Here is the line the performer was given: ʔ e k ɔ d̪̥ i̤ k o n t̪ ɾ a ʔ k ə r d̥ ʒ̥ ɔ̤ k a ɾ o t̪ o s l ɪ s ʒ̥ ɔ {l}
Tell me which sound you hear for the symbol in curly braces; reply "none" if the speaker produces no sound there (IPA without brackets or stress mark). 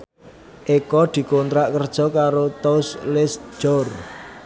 r